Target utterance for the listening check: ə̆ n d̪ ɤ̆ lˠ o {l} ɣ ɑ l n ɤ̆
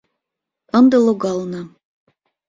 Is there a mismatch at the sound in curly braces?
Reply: yes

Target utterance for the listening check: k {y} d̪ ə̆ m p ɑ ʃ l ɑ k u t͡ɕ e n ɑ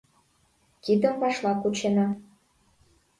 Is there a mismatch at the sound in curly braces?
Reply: yes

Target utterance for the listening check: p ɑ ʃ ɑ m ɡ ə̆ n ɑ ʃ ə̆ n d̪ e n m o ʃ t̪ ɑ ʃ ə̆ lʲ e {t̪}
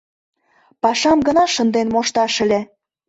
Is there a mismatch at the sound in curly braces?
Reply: yes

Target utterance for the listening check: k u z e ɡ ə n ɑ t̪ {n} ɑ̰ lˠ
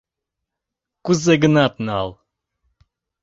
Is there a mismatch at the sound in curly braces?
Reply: no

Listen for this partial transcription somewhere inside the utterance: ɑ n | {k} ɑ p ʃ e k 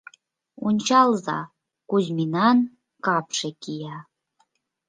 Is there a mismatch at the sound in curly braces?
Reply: no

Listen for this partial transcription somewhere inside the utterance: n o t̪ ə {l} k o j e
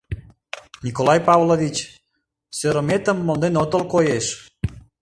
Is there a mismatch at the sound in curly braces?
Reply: no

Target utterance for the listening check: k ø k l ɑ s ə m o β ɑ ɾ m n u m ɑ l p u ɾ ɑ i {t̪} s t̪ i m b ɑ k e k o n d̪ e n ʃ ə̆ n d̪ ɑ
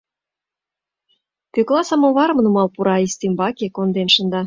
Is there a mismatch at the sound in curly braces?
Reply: yes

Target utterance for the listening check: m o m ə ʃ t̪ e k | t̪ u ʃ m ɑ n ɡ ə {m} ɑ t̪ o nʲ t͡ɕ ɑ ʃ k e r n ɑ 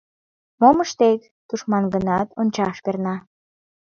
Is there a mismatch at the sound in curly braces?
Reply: yes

